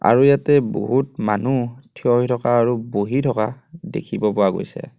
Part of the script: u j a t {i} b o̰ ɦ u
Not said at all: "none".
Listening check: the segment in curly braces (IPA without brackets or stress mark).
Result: ɛ